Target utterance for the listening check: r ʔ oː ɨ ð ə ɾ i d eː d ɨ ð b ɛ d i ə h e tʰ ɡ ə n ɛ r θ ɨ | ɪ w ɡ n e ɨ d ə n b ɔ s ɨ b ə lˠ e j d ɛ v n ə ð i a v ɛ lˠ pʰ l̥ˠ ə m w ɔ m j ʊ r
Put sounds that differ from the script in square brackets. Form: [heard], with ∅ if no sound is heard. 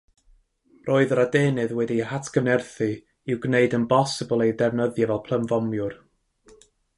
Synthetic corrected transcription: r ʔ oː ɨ ð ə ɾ [a] d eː [n] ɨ ð [w] ɛ d i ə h [a] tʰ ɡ ə n ɛ r θ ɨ | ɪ w ɡ n e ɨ d ə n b ɔ s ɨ b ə lˠ e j d ɛ v n ə ð [j] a v ɛ lˠ pʰ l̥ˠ ə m [v] ɔ m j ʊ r